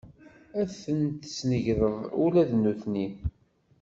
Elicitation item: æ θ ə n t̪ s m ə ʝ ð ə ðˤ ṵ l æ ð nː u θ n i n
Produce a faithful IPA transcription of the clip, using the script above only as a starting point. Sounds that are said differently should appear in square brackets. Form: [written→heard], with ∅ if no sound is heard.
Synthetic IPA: æ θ ə n t̪ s [m→n] ə ʝ ð ə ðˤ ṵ l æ ð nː u θ n i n